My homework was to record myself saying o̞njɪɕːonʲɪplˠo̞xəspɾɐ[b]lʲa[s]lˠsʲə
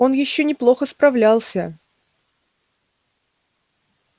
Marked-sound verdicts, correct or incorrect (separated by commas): incorrect, incorrect